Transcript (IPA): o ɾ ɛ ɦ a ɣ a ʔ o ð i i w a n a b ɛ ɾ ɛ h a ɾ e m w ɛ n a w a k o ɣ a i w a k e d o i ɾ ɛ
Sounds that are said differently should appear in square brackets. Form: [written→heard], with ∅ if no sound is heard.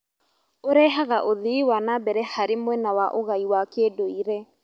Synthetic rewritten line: o ɾ ɛ ɦ a ɣ a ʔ o ð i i w a n a b ɛ ɾ ɛ h a ɾ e m w ɛ n a w a [k→ʔ] o ɣ a i w a k e d o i ɾ ɛ